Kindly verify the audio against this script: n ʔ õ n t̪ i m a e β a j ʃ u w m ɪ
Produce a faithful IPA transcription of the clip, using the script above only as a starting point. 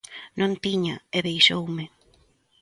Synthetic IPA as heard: n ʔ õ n t̪ i ɲ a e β e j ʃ o w m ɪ